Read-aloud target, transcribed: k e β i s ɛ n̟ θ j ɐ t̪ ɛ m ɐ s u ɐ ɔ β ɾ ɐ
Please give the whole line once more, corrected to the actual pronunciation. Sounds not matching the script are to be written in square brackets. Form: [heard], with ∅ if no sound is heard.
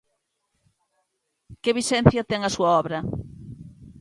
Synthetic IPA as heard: k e β i s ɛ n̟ θ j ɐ t̪ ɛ [ŋ] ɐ s u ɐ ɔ β ɾ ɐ

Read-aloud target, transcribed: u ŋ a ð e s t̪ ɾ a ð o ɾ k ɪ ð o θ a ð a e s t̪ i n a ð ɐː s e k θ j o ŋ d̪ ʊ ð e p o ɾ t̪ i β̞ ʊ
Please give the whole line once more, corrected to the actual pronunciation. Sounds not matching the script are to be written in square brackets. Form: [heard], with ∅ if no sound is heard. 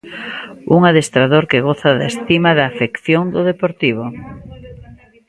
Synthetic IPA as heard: u ŋ a ð e s t̪ ɾ a ð o ɾ k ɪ [ɣ] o θ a ð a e s t̪ i [m] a ð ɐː [f] e k θ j o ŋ d̪ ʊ ð e p o ɾ t̪ i β̞ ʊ

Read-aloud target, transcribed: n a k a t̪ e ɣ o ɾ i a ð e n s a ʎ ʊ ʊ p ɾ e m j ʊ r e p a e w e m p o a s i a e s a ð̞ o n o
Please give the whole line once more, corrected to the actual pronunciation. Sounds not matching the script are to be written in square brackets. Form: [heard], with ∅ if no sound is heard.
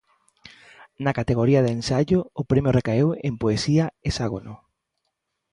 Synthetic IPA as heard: n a k a t̪ e ɣ o ɾ i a ð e n s a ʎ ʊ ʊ p ɾ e m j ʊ r e [k] a e w e m p o [e] s i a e s a [ɣ̞] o n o

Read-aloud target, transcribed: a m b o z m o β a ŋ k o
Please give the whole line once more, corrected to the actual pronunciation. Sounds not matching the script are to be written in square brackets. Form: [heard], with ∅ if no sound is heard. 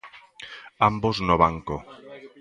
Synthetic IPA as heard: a m b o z [n] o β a ŋ k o

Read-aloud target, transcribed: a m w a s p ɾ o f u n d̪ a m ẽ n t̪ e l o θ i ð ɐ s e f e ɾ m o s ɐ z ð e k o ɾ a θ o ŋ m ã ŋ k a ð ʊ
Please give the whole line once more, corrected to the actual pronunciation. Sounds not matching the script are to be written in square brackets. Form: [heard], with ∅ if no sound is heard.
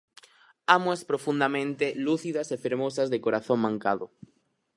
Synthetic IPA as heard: a m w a s p ɾ o f u n d̪ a m ẽ n t̪ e l [u] θ i ð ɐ s e f e ɾ m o s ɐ z ð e k o ɾ a θ o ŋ m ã ŋ k a ð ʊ

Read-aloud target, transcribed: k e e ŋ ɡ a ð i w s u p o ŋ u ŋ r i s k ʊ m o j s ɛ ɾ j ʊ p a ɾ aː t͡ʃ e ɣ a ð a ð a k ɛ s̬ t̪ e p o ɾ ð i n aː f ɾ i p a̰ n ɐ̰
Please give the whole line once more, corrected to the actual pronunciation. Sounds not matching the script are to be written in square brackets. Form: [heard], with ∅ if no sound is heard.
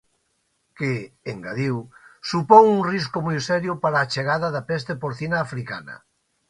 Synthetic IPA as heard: k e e ŋ ɡ a ð i w s u p o ŋ u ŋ r i s k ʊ m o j s ɛ ɾ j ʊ p a ɾ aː t͡ʃ e ɣ a ð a ð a [p] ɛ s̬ t̪ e p o ɾ [θ] i n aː f ɾ i [k] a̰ n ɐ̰

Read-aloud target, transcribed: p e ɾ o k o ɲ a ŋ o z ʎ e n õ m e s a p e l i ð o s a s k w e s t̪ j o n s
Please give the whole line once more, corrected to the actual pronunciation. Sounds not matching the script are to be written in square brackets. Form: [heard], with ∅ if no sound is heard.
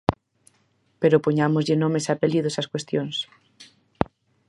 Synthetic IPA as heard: p e ɾ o [p] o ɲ a [m] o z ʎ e n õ m e s a p e l i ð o s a s k w e s t̪ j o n s

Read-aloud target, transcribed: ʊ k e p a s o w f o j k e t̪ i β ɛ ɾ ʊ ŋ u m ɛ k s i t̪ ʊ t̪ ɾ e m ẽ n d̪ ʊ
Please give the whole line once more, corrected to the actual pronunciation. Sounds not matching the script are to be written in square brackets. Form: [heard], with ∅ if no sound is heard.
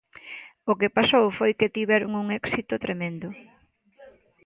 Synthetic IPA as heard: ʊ k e p a s o w f o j k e t̪ i β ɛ ɾ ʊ ŋ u [ŋ] ɛ k s i t̪ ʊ t̪ ɾ e m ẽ n d̪ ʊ

